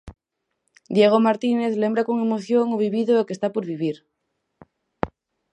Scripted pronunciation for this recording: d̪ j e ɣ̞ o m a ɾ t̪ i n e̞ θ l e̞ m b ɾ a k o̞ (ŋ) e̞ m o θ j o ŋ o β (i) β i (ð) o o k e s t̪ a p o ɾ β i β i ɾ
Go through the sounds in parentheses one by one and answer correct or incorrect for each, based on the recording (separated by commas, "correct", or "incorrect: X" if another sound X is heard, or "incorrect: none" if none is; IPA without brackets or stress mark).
correct, correct, correct